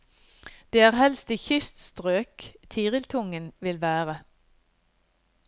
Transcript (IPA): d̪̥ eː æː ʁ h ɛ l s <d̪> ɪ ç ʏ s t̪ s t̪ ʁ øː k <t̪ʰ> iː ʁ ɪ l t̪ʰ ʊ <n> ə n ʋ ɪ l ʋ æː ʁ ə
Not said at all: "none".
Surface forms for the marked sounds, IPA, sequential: t̪, t̪ʰ, ŋ

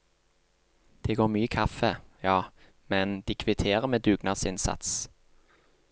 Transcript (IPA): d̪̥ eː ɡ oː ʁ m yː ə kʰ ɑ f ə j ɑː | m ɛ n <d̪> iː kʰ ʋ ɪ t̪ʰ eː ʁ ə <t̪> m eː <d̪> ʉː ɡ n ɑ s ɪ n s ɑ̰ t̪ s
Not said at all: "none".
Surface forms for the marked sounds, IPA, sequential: d̪, none, d̪

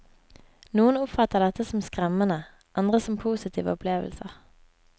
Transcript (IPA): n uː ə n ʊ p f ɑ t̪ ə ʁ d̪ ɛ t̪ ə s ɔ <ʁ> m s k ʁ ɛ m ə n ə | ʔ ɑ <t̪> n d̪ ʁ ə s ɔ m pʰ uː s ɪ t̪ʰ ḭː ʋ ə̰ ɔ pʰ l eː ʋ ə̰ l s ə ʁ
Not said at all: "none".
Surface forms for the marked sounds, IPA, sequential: none, none

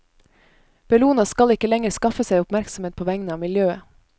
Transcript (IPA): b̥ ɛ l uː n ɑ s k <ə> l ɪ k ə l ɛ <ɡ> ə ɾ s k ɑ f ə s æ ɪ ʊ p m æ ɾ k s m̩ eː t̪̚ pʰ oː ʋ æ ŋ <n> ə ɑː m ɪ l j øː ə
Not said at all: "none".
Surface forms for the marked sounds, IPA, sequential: ɑ, ŋ, n

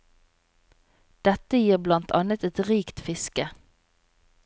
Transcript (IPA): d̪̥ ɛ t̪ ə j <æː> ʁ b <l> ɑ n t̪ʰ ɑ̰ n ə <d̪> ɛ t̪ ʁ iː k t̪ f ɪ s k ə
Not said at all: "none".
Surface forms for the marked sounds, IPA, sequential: iː, l, t̪

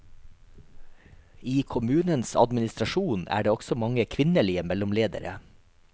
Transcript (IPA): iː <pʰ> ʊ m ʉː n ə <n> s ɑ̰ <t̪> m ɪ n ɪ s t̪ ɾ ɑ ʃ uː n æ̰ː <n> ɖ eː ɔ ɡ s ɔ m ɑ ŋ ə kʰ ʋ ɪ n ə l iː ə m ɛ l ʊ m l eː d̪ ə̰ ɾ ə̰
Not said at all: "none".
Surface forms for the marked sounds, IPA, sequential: kʰ, n, d̪, none

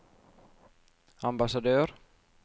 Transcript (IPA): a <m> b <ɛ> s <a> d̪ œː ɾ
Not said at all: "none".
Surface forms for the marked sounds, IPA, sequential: m, a, a

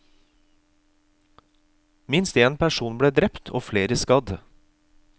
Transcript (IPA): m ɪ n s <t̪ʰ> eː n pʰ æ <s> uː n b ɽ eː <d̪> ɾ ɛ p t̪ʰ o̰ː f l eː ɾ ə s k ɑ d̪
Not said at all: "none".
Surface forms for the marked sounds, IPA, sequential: t̪, ʃ, d̪

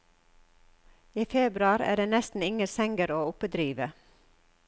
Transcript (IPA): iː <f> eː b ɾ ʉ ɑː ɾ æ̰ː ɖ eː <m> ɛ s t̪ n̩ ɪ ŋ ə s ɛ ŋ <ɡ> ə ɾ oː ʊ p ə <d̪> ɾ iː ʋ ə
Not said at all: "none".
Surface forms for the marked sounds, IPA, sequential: f, n, ɡ, d̪

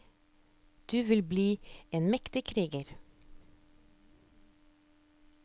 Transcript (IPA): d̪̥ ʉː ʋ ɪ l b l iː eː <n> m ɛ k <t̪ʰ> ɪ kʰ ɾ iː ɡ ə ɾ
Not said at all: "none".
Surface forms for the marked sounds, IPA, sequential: n, t̪

